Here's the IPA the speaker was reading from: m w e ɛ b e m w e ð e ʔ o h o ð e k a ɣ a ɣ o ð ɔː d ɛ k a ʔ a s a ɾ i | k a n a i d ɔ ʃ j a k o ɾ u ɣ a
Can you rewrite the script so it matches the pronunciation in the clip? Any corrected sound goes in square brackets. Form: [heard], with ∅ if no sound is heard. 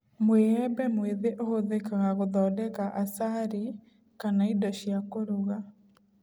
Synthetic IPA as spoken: m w e ɛ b [ɛ] m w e ð e ʔ o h o ð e k a ɣ a ɣ o ð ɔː d ɛ k a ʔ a s a ɾ i | k a n a i d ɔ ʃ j a k o ɾ u ɣ a